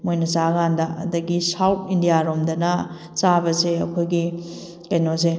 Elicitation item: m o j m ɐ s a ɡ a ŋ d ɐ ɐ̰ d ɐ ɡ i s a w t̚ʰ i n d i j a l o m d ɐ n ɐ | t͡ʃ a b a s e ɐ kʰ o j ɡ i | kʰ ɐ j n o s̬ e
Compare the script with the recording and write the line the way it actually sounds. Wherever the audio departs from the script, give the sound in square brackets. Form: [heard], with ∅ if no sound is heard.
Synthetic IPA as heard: m o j [n] ɐ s a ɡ a [n] d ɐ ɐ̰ d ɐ ɡ i s a w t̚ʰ i n d i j a [ɾ] o m d ɐ n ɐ | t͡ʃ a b [ɐ] s e ɐ kʰ o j ɡ i | [k] ɐ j n o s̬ e

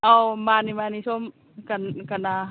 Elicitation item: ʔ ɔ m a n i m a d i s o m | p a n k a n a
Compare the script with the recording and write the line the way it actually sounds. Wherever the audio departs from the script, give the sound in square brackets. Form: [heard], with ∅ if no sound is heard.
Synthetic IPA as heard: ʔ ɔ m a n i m a [n] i s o m | [k] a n k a n a

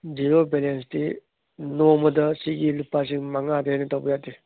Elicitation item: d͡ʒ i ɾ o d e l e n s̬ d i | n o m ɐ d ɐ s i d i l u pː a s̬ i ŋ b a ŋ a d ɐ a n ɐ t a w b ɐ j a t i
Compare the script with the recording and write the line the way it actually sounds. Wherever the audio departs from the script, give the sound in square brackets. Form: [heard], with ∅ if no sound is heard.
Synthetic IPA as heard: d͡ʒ i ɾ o [b] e l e n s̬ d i | n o m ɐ d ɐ s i [ɡ] i l u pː a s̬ i ŋ [m] a ŋ a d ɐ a n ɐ t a w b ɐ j a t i

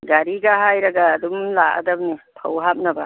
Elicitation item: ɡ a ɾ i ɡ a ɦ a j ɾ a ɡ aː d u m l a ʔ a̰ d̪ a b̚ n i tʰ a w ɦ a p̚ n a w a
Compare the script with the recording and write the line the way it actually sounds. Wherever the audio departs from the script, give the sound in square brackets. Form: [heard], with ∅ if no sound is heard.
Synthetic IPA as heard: ɡ a ɾ i ɡ a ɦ a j ɾ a ɡ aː d u m l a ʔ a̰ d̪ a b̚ n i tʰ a w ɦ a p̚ n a [b] a

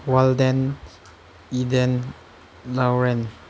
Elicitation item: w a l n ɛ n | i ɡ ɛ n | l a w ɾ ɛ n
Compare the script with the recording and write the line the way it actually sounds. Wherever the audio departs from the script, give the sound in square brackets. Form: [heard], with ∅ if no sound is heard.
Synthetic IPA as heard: w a l [d] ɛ n | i [d] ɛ n | l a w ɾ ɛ n

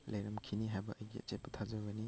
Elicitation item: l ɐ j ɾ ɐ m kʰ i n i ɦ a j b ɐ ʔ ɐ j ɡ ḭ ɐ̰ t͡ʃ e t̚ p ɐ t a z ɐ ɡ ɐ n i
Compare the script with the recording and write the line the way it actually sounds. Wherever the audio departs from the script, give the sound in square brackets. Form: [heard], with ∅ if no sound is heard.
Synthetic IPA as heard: l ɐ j ɾ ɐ m kʰ i n i ɦ a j b ɐ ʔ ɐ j ɡ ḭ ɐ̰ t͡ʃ e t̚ p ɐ [tʰ] a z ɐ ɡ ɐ n i

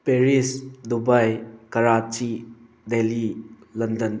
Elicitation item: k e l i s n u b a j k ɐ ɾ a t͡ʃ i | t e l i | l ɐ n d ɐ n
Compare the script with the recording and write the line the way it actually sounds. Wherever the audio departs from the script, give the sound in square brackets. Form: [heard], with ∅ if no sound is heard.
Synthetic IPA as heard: [p] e [ɾ] i s [d] u b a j k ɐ ɾ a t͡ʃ i | [d] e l i | l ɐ n d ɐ n

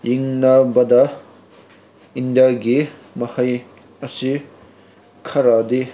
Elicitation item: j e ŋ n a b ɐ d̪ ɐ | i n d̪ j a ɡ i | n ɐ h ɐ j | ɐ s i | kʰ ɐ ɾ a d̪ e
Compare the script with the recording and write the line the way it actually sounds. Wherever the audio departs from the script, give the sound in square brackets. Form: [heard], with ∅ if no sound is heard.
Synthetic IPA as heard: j [i] ŋ n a b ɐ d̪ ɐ | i n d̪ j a ɡ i | [m] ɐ h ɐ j | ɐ s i | kʰ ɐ ɾ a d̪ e

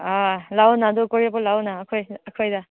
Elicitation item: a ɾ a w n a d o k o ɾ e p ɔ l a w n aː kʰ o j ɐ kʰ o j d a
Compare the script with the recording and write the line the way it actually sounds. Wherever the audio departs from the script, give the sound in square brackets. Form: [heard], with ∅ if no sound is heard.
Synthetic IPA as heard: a [l] a w n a d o k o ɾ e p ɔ l a w n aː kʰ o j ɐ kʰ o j d a

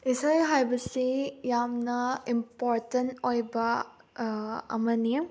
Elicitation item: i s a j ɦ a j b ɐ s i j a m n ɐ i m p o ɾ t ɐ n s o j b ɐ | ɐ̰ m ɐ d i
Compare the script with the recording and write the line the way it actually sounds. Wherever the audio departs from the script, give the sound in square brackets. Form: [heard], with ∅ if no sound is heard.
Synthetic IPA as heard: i s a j ɦ a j b ɐ s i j a m n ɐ i m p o ɾ t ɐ n [t] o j b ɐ | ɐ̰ m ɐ [n] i

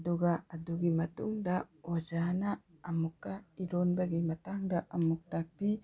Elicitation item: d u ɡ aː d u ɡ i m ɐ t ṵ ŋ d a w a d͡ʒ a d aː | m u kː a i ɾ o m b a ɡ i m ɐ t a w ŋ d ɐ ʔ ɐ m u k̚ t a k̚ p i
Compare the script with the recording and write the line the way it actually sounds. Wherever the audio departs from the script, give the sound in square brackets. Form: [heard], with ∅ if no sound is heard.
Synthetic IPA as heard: d u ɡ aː d u ɡ i m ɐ t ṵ ŋ d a w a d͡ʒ a [n] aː | m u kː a i ɾ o [n] b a ɡ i m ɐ t a [∅] ŋ d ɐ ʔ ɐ m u k̚ t a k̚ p i

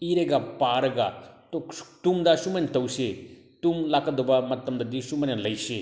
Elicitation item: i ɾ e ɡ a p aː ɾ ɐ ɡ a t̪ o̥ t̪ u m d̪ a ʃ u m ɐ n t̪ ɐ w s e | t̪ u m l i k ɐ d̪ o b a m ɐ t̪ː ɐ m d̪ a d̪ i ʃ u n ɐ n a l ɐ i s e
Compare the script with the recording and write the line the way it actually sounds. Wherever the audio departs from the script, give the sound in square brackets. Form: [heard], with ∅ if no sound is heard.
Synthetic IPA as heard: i ɾ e ɡ a p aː ɾ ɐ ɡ a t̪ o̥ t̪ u m d̪ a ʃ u m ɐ n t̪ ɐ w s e | t̪ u m l [a] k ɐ d̪ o b a m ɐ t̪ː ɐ m d̪ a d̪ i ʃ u [m] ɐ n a l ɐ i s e

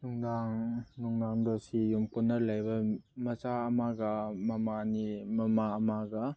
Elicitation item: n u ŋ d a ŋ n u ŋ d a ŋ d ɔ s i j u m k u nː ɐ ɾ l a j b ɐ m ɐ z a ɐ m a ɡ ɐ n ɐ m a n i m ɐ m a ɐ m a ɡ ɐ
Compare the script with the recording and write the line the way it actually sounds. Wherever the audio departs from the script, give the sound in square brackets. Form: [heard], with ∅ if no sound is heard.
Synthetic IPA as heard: n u ŋ d a ŋ n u ŋ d a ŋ d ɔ s i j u m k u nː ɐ ɾ l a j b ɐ m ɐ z a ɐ m a ɡ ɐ [m] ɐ m a n i m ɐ m a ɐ m a ɡ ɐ

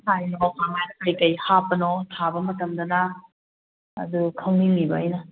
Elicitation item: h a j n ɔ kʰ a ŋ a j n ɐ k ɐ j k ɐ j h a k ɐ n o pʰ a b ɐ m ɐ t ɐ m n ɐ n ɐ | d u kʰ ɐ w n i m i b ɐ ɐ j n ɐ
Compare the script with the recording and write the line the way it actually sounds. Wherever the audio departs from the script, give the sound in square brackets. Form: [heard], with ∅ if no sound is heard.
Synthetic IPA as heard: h a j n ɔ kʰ a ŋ a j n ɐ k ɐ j k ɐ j h a [p] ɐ n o [tʰ] a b ɐ m ɐ t ɐ m [d] ɐ n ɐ | d u kʰ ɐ w n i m i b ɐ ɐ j n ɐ

